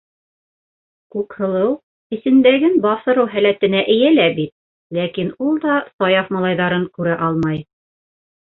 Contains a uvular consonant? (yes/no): no